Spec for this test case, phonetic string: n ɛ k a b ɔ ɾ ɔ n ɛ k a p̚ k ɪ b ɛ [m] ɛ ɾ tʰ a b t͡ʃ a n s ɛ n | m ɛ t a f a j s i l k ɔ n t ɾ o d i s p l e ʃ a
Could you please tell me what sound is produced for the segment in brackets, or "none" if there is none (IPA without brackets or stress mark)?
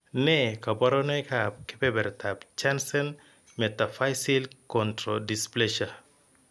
b